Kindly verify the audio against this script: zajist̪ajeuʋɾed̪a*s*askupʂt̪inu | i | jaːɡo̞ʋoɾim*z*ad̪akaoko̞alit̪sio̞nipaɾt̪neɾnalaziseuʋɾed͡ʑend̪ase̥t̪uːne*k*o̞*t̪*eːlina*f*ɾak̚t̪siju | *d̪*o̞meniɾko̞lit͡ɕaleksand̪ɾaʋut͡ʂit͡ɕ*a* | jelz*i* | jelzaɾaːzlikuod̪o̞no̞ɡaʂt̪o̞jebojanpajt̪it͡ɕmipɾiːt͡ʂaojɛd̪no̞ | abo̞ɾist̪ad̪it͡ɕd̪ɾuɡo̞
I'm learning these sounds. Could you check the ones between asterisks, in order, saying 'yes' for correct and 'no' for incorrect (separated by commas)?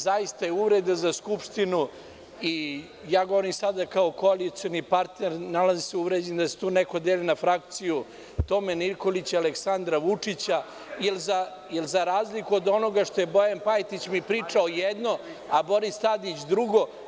no, no, yes, no, yes, no, yes, no